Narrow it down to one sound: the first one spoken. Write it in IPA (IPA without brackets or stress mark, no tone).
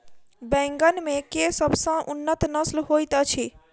b